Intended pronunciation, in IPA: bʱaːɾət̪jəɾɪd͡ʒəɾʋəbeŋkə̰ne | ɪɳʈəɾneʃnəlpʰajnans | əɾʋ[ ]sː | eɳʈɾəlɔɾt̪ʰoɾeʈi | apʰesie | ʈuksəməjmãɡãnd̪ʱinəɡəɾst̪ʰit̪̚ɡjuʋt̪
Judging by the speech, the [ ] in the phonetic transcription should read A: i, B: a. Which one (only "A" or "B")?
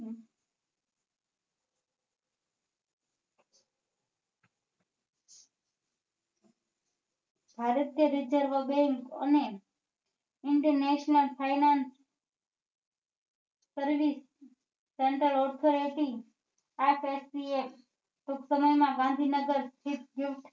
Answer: A